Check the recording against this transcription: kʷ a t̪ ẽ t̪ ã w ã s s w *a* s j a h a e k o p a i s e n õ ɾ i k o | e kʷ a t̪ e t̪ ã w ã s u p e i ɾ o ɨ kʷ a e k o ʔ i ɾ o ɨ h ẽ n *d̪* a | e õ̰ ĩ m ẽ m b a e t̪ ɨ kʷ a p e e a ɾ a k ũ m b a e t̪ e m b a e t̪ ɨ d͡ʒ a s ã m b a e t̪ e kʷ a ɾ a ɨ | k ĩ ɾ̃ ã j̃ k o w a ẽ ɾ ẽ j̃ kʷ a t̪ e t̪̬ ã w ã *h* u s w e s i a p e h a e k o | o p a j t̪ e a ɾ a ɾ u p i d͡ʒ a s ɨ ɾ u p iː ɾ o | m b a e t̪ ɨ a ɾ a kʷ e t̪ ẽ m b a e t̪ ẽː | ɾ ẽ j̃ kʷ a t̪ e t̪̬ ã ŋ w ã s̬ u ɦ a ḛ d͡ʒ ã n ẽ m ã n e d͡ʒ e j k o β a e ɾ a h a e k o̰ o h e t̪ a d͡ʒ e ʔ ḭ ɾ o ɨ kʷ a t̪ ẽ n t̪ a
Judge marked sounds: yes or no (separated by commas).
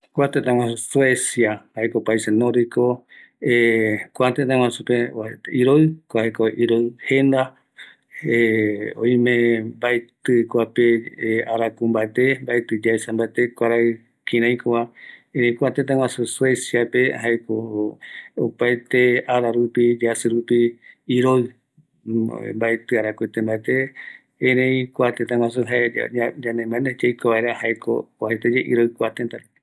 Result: no, yes, no